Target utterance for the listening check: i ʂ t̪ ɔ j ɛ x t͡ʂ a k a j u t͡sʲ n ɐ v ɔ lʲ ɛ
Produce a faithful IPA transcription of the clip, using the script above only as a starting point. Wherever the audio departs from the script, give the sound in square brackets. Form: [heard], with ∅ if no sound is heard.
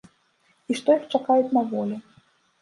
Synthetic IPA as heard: i ʂ t̪ ɔ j [i] x t͡ʂ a k a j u t͡sʲ n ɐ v ɔ lʲ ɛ